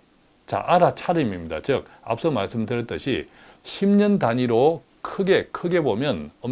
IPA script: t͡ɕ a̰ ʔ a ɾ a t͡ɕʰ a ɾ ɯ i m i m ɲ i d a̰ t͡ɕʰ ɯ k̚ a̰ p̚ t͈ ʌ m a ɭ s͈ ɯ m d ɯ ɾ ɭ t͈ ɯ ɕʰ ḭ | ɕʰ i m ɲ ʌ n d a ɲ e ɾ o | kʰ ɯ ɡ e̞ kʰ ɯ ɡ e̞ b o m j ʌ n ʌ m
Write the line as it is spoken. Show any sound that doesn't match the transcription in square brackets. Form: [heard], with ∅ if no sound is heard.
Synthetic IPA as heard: t͡ɕ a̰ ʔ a ɾ a t͡ɕʰ a ɾ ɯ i m i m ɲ i d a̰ [t͡ɕ] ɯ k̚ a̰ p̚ [s͈] ʌ m a ɭ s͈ ɯ m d ɯ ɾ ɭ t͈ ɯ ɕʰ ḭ | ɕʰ i m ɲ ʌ n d a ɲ [i] ɾ o | kʰ ɯ ɡ e̞ kʰ ɯ ɡ e̞ b o m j ʌ n ʌ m